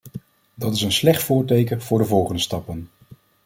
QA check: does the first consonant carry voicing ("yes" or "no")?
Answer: yes